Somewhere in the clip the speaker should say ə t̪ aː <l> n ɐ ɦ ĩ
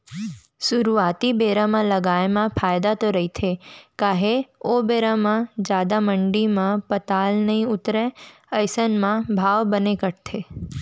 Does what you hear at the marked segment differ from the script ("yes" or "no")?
no